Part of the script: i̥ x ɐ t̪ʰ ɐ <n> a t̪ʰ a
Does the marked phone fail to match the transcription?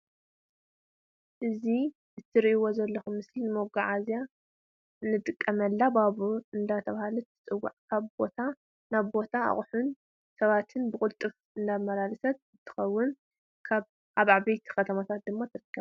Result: yes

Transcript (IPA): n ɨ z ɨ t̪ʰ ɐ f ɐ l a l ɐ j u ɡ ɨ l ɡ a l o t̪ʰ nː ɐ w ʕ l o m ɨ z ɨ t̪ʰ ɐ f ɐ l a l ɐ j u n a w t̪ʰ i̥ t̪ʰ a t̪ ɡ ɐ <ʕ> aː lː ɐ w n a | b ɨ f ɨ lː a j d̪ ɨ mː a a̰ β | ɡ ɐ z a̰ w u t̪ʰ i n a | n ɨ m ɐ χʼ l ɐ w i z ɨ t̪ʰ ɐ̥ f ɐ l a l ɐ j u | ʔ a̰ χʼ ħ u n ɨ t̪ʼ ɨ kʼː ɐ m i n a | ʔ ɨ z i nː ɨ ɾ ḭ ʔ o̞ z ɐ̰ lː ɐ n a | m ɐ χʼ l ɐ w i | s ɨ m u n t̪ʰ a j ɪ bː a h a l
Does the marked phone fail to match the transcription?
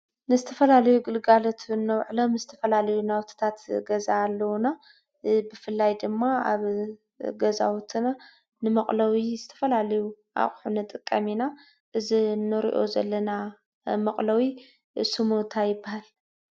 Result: yes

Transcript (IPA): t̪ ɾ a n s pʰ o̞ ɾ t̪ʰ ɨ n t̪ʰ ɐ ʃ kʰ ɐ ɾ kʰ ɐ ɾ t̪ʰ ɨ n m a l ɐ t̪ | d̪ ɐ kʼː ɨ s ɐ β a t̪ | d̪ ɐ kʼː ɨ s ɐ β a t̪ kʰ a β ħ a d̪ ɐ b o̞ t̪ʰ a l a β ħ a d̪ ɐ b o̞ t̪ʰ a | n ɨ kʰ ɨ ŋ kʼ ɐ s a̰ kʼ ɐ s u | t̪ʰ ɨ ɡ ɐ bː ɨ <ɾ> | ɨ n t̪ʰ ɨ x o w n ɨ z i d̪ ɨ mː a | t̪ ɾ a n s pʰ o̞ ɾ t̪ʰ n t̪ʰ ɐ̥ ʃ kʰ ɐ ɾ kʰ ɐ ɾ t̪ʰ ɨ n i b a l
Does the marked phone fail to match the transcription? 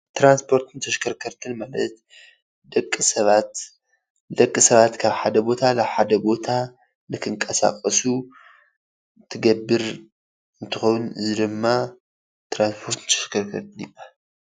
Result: no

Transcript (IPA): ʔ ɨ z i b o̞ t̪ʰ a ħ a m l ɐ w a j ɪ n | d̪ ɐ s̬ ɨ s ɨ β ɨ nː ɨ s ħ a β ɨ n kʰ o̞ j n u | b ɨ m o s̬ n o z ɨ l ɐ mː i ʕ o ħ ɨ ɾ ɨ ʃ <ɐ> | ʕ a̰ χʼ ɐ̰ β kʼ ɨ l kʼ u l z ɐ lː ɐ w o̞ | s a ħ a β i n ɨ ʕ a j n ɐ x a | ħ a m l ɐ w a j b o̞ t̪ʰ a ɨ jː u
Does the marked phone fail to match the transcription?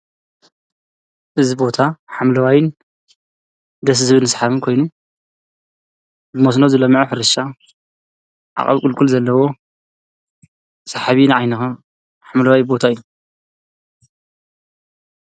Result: yes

